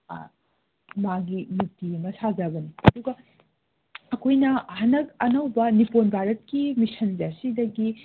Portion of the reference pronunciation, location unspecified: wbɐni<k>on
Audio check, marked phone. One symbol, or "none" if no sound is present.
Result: p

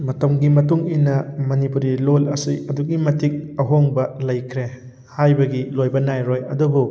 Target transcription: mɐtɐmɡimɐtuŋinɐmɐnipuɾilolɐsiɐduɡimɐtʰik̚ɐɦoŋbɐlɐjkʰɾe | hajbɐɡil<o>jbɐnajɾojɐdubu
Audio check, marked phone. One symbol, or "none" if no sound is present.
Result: o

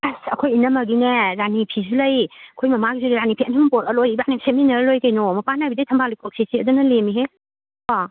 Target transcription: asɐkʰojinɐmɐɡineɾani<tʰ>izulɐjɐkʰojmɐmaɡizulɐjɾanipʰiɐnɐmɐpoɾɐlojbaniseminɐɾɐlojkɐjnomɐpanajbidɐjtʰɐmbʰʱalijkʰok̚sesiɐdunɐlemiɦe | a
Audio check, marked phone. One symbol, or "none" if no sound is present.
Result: pʰ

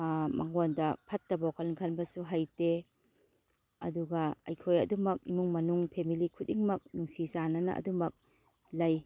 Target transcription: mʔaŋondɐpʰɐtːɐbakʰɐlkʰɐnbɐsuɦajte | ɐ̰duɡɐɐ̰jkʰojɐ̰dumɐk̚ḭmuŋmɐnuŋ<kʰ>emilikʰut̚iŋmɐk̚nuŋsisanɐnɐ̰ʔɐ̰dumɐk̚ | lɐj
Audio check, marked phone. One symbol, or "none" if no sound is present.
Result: pʰ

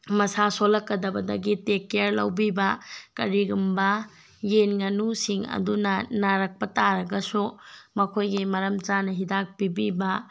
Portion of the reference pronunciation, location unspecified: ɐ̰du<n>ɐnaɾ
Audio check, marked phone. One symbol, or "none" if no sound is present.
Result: n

